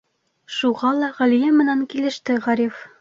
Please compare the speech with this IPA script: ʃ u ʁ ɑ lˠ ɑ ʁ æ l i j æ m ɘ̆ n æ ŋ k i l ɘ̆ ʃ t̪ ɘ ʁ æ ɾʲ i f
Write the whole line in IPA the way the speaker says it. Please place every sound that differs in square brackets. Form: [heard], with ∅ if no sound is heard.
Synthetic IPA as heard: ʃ u ʁ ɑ lˠ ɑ ʁ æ l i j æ m ɘ̆ n æ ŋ k i l ɘ̆ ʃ t̪ ɘ ʁ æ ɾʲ i f